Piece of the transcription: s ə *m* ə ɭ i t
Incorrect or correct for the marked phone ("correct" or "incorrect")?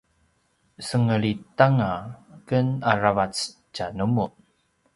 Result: incorrect